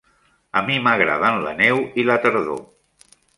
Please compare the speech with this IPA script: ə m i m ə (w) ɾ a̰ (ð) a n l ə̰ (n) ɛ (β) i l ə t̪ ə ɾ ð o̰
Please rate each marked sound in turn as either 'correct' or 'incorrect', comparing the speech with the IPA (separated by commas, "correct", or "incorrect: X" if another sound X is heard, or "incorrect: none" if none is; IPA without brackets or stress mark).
incorrect: ɣ, correct, correct, incorrect: w